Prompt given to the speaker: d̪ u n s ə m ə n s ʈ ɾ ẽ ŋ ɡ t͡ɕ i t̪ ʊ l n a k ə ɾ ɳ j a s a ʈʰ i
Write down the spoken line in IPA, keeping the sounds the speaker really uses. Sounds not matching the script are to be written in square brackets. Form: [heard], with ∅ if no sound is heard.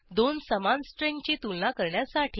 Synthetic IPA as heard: d̪ [o] n s ə m [a] n s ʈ ɾ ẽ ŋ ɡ t͡ɕ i t̪ [u] l n a k ə ɾ ɳ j a s a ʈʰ i